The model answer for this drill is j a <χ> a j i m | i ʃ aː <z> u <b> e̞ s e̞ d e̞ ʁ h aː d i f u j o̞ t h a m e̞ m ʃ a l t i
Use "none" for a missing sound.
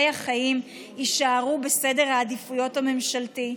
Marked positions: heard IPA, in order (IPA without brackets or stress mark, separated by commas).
χ, ʁ, b